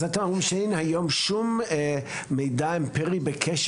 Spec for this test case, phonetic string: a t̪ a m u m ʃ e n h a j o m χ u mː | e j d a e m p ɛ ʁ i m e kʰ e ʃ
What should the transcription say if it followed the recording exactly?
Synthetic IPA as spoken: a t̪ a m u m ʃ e n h a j o m ʃ u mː | e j d a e m p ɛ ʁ i b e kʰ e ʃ